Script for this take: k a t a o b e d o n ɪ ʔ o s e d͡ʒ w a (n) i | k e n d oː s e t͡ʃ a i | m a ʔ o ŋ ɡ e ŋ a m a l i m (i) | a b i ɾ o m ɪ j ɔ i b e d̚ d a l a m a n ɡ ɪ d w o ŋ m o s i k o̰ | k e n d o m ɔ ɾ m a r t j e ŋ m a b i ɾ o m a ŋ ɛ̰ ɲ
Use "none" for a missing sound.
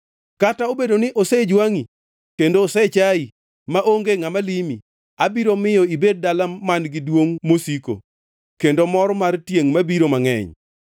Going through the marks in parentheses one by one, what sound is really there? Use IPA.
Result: ŋ, i

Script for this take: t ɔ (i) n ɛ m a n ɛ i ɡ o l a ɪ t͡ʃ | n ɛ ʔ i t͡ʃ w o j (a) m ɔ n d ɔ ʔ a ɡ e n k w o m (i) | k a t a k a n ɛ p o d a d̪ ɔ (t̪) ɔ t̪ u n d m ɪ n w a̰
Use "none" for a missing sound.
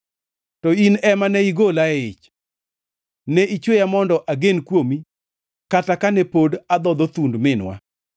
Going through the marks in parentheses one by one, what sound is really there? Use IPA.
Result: i, a, i, d̪

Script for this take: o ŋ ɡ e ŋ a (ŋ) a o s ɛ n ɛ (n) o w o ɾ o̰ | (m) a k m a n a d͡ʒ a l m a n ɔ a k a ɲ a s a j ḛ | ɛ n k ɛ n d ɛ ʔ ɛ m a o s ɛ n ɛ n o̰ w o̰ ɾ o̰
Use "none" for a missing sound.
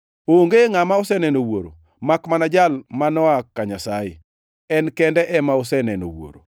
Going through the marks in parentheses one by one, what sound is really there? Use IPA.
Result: m, n, m

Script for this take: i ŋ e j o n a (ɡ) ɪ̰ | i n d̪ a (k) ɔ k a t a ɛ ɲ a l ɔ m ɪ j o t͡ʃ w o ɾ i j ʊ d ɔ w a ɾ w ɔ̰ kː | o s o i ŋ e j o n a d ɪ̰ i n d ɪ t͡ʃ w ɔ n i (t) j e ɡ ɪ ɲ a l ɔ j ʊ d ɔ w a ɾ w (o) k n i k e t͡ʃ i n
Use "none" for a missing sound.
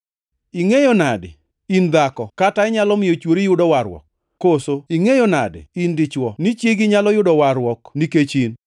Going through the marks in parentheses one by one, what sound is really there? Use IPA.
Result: d, k, t͡ʃ, ɔ

